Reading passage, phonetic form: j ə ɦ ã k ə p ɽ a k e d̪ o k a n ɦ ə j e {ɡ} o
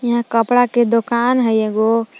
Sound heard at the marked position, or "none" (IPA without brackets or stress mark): ɡ